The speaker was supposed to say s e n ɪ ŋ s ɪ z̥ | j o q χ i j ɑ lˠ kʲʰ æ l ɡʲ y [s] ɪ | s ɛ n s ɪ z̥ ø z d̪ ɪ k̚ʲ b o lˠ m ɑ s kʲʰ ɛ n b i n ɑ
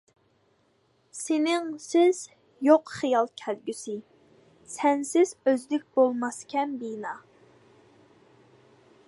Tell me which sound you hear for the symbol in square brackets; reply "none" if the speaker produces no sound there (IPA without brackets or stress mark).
s